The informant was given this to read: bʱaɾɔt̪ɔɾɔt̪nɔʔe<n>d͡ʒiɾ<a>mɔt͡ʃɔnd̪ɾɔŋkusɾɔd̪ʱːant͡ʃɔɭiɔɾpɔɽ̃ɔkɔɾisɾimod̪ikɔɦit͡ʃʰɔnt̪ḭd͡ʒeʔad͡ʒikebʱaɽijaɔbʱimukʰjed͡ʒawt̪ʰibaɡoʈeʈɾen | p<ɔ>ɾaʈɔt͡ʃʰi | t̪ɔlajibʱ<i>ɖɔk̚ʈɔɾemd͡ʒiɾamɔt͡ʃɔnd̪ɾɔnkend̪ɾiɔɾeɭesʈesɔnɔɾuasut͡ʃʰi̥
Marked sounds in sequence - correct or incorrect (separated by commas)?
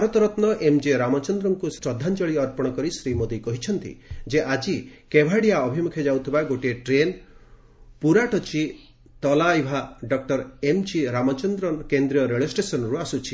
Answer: incorrect, correct, incorrect, incorrect